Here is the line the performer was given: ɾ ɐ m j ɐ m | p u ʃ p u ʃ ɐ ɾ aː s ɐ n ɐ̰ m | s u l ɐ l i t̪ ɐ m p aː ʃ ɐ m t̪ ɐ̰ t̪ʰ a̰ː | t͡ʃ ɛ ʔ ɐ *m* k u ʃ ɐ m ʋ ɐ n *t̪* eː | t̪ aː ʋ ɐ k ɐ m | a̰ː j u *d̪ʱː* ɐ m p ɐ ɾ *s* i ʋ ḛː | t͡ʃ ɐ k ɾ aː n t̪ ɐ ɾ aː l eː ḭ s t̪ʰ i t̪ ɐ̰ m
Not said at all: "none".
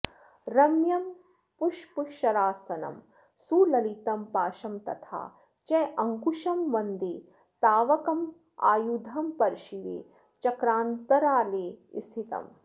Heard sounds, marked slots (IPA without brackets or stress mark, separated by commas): ŋ, d̪, d̪ʱ, ʃ